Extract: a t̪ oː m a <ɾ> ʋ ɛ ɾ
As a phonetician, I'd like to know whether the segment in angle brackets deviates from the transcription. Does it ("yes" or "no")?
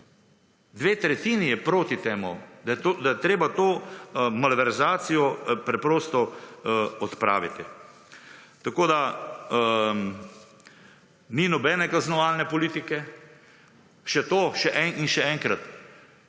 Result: yes